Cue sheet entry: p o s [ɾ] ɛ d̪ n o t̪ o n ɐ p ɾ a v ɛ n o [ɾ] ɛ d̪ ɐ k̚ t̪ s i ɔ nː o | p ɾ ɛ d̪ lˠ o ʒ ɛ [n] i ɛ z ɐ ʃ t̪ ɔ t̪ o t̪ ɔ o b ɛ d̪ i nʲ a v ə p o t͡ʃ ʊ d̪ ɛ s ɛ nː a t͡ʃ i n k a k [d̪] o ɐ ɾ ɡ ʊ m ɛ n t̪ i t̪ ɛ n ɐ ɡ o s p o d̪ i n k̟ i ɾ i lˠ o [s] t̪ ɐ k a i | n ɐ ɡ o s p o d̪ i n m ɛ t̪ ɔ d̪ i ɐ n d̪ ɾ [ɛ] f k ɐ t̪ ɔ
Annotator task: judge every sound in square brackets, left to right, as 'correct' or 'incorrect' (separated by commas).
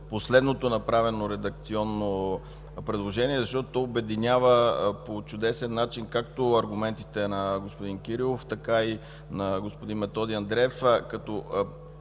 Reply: incorrect, correct, correct, incorrect, incorrect, correct